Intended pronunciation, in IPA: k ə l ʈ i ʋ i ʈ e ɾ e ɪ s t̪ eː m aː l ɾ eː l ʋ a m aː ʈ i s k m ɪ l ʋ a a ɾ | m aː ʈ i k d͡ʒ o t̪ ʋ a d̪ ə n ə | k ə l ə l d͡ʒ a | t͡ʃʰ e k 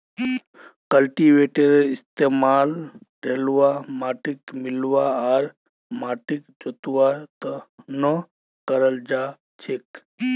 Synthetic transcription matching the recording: k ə l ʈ i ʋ e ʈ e ɾ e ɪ s t̪ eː m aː l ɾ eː l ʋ a m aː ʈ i k m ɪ l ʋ a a ɾ | m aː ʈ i k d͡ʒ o t̪ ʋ a t̪ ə n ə | k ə ɾ ə l d͡ʒ a | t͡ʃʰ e k